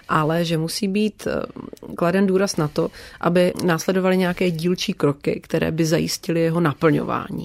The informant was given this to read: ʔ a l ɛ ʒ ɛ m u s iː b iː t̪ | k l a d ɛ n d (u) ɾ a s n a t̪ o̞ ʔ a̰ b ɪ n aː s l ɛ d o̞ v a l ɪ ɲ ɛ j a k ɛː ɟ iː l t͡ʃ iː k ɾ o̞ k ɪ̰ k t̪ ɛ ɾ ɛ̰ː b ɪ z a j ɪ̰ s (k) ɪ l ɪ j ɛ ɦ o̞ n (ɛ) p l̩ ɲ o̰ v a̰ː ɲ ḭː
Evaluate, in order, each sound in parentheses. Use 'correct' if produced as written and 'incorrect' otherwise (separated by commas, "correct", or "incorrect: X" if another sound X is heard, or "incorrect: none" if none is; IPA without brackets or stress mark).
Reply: incorrect: uː, incorrect: c, incorrect: a